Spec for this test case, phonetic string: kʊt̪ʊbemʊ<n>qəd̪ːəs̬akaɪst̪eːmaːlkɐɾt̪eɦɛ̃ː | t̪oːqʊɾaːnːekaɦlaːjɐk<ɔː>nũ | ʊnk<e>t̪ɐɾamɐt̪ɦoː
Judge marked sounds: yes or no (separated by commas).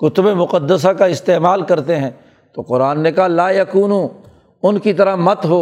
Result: no, no, no